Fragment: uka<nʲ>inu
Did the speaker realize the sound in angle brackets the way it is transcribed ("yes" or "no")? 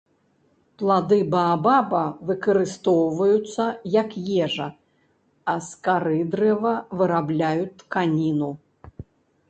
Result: yes